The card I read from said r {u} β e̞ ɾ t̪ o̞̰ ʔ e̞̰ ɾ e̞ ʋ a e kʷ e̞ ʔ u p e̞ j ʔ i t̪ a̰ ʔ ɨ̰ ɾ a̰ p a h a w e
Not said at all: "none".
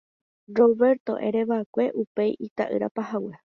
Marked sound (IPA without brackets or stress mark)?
o